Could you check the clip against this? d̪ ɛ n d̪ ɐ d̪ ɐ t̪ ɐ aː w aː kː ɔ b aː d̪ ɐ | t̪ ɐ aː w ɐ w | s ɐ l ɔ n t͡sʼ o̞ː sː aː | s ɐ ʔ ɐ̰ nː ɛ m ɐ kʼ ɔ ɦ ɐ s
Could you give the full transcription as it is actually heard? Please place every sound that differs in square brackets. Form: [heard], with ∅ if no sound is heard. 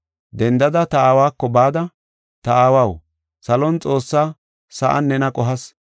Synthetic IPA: d̪ ɛ n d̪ ɐ d̪ ɐ t̪ ɐ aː w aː kː ɔ b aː d̪ ɐ | t̪ ɐ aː w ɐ w | s ɐ l ɔ n t͡sʼ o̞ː sː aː | s ɐ ʔ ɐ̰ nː ɛ [n] ɐ kʼ ɔ ɦ ɐ s

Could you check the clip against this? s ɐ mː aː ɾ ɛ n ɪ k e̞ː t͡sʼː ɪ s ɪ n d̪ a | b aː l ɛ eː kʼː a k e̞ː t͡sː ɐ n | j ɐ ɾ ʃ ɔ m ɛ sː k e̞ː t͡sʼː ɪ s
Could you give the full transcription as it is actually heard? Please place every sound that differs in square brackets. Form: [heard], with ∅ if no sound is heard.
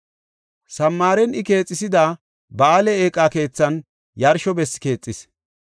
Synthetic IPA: s ɐ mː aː ɾ ɛ n ɪ k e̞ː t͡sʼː ɪ s ɪ [∅] d̪ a | b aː l ɛ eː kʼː a k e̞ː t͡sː ɐ n | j ɐ ɾ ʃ ɔ [b] ɛ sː k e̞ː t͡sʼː ɪ s

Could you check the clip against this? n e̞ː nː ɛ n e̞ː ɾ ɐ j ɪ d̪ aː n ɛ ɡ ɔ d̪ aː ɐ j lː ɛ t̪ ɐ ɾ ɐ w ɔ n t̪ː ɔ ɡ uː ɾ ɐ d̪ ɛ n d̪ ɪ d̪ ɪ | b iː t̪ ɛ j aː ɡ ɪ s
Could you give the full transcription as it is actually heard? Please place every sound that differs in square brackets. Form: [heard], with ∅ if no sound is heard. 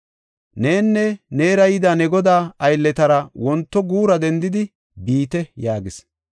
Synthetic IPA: n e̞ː nː ɛ n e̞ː ɾ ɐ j ɪ d̪ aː n ɛ ɡ ɔ d̪ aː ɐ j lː ɛ t̪ ɐ ɾ ɐ w ɔ n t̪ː ɔ ɡ uː ɾ ɐ d̪ ɛ n d̪ ɪ d̪ ɪ | b iː t̪ ɛ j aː ɡ ɪ s

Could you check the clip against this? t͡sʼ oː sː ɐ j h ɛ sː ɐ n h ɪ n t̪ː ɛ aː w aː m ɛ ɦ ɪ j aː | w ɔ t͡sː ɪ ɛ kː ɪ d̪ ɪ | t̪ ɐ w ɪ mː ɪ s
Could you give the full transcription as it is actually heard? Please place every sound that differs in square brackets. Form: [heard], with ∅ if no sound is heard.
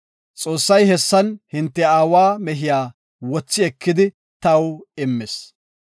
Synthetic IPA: t͡sʼ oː sː ɐ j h ɛ sː ɐ n h ɪ n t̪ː ɛ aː w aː m ɛ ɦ ɪ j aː | w ɔ t͡sː ɪ ɛ kː ɪ d̪ ɪ | t̪ ɐ w ɪ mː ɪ s

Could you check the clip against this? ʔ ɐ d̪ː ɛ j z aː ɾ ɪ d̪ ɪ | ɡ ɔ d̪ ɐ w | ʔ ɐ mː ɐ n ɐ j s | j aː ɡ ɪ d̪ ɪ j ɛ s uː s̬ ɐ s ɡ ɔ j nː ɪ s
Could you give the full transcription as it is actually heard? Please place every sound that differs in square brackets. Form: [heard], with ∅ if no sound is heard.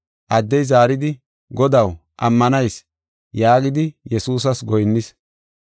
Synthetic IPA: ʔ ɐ d̪ː ɛ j z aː ɾ ɪ d̪ ɪ | ɡ ɔ d̪ ɐ w | ʔ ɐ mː ɐ n ɐ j s | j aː ɡ ɪ d̪ ɪ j ɛ s uː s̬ ɐ s ɡ ɔ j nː ɪ s

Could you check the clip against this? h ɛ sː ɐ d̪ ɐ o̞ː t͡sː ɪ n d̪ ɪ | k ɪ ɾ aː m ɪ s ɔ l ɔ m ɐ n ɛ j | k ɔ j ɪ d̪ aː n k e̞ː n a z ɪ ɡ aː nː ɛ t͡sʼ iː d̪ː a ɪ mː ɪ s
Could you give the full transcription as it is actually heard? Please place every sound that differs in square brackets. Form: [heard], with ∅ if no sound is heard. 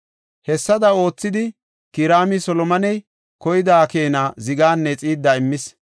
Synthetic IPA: h ɛ sː ɐ d̪ ɐ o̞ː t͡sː ɪ [∅] d̪ ɪ | k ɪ ɾ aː m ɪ s ɔ l ɔ m ɐ n ɛ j | k ɔ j ɪ d̪ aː [∅] k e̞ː n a z ɪ ɡ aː nː ɛ t͡sʼ iː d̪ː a ɪ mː ɪ s

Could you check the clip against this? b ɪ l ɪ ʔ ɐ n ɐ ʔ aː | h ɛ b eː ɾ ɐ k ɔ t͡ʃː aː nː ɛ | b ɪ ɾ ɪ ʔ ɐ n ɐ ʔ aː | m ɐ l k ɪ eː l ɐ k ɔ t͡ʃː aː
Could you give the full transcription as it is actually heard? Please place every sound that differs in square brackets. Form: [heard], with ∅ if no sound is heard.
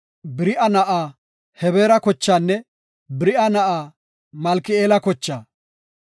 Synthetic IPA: b ɪ [ɾ] ɪ ʔ ɐ n ɐ ʔ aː | h ɛ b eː ɾ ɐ k ɔ t͡ʃː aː nː ɛ | b ɪ ɾ ɪ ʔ ɐ n ɐ ʔ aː | m ɐ l k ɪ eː l ɐ k ɔ t͡ʃː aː

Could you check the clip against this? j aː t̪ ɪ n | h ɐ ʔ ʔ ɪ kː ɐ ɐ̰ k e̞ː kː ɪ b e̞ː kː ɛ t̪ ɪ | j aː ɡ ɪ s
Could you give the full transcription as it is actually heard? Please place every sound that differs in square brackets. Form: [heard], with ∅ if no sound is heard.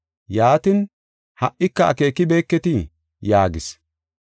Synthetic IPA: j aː t̪ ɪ n | h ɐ ʔ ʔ ɪ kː ɐ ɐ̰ k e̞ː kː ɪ b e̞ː kː ɛ t̪ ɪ | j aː ɡ ɪ s

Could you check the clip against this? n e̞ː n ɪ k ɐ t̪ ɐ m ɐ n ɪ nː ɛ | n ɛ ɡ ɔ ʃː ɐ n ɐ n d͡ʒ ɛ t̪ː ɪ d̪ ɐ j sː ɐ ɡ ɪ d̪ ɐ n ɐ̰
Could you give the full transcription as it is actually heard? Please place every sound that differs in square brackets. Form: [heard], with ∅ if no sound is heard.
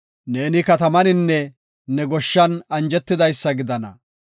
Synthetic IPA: n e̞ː n ɪ k ɐ t̪ ɐ m ɐ n ɪ nː ɛ | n ɛ ɡ ɔ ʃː ɐ n ɐ n d͡ʒ ɛ t̪ː ɪ d̪ ɐ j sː ɐ ɡ ɪ d̪ ɐ n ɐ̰

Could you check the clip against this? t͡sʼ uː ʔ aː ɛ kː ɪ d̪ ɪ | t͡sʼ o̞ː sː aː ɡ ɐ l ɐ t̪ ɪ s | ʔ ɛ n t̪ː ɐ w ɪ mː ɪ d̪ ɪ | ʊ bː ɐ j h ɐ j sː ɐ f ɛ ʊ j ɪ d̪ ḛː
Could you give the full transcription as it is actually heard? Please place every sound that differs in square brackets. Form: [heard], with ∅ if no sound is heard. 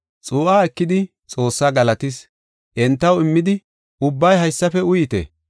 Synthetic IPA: t͡sʼ uː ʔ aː ɛ kː ɪ d̪ ɪ | t͡sʼ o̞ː sː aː ɡ ɐ l ɐ t̪ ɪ s | ʔ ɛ n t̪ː ɐ w ɪ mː ɪ d̪ ɪ | ʊ bː ɐ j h ɐ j sː ɐ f ɛ ʊ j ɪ [t̪] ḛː

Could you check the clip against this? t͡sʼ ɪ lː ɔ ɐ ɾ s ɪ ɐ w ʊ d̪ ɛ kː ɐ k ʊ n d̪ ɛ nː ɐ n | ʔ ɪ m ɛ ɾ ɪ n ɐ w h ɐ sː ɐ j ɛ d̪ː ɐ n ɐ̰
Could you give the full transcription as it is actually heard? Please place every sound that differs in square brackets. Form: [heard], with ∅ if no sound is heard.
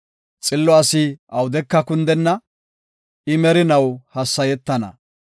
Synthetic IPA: t͡sʼ ɪ lː ɔ ɐ [∅] s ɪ ɐ w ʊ d̪ ɛ kː ɐ k ʊ n d̪ ɛ nː ɐ [∅] | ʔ ɪ m ɛ ɾ ɪ n ɐ w h ɐ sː ɐ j ɛ [t̪ː] ɐ n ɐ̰

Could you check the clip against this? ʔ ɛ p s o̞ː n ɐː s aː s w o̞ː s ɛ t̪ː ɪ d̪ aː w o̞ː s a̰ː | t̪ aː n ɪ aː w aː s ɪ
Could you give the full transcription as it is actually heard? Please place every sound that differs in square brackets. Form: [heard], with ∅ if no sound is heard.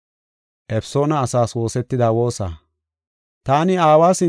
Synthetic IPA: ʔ ɛ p s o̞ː n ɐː s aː s w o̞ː s ɛ t̪ː ɪ d̪ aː w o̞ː s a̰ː | t̪ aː n ɪ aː w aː s ɪ

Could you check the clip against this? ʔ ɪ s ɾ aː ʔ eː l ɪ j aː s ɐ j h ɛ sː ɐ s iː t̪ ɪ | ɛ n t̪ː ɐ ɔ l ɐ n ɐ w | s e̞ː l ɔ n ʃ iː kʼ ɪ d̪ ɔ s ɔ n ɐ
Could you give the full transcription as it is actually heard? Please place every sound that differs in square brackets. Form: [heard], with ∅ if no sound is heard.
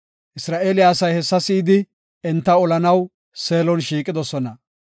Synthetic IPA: ʔ ɪ s ɾ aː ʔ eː l ɪ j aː s ɐ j h ɛ sː ɐ s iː [d̪] ɪ | ɛ n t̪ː ɐ ɔ l ɐ n ɐ w | s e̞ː l ɔ n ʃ iː kʼ ɪ d̪ ɔ s ɔ n ɐ

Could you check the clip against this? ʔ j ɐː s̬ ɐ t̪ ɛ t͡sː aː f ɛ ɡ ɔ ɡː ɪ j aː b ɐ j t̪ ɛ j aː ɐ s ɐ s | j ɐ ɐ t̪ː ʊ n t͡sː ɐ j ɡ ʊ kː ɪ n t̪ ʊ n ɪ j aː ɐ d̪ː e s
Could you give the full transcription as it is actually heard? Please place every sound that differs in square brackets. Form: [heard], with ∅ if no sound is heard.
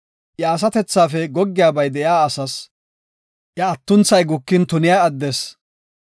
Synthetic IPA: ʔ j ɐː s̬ ɐ t̪ ɛ t͡sː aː f ɛ ɡ ɔ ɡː ɪ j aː b ɐ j [d̪] ɛ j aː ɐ s ɐ s | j ɐ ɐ t̪ː ʊ n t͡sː ɐ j ɡ ʊ kː ɪ n t̪ ʊ n ɪ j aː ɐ d̪ː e s

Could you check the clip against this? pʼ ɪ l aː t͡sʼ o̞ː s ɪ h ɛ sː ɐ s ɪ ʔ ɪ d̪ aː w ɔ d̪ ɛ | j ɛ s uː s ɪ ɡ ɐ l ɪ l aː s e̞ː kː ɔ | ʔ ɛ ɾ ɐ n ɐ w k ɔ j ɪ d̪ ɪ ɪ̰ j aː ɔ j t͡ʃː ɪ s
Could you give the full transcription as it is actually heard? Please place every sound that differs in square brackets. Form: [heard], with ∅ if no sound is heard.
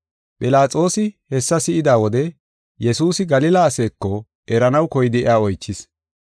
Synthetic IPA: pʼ ɪ l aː t͡sʼ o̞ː s ɪ h ɛ sː ɐ s ɪ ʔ ɪ d̪ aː w ɔ d̪ ɛ | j ɛ s uː s ɪ ɡ ɐ l ɪ l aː s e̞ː kː ɔ | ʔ ɛ ɾ ɐ n ɐ w k ɔ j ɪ d̪ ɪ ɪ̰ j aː ɔ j t͡ʃː ɪ s

